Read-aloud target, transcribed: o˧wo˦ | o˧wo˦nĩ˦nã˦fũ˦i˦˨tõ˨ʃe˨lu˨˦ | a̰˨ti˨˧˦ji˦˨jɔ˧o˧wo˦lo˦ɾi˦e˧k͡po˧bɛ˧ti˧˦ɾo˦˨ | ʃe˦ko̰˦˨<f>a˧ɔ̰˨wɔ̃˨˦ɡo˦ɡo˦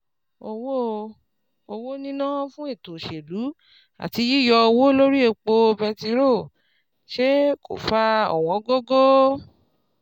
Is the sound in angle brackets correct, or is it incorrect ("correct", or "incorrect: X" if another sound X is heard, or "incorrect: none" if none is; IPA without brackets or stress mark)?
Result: correct